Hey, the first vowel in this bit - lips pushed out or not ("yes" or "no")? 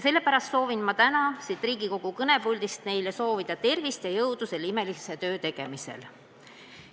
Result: no